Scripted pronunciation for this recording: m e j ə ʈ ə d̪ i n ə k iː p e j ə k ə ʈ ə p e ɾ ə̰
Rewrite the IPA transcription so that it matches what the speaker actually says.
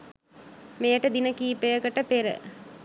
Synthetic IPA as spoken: m e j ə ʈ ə d̪ i n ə k iː p e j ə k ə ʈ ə p e ɾ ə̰

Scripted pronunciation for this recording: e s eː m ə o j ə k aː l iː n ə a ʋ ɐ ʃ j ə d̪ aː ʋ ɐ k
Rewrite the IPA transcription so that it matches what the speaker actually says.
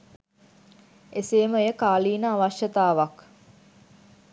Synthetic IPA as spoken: e s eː m ə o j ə k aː l iː n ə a ʋ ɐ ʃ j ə t̪ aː ʋ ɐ k

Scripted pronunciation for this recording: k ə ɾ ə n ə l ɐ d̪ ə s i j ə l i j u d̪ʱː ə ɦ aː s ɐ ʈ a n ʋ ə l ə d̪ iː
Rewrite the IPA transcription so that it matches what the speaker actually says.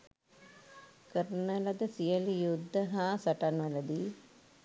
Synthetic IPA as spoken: k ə ɾ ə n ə l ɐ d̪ ə s i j ə l i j u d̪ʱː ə ɦ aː s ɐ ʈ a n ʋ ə l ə d̪ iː

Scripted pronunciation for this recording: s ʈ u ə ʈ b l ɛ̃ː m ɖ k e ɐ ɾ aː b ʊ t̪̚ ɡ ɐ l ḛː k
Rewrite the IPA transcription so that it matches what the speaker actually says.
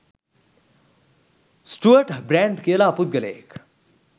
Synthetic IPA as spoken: s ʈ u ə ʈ b ɾ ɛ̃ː ɳ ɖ k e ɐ l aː p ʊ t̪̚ ɡ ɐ l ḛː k

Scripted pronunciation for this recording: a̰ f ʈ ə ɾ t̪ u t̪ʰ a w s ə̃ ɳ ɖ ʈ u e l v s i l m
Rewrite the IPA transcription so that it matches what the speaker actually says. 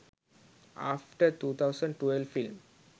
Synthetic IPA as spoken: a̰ f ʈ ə ɾ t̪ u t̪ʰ a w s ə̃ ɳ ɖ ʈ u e l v f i l m

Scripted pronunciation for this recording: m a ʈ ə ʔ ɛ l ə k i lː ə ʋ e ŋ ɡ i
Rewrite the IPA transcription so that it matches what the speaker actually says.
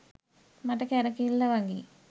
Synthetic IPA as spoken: m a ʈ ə k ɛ ɾ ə k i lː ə ʋ a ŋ ɡ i

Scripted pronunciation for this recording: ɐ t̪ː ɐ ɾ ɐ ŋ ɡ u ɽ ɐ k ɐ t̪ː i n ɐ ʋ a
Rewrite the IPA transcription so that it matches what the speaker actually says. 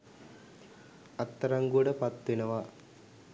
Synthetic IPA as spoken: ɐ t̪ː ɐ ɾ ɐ ŋ ɡ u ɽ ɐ p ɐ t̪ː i n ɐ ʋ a

